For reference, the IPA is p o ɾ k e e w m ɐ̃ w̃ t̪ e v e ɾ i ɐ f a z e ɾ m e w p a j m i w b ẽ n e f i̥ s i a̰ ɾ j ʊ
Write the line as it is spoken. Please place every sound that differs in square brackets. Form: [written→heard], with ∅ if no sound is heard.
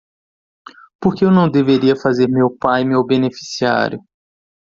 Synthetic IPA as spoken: p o ɾ k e e w [m→n] ɐ̃ w̃ [t̪→d̪] e v e ɾ i ɐ f a z e ɾ m e w p a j m [i→e] w b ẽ n e f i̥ s i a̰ ɾ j ʊ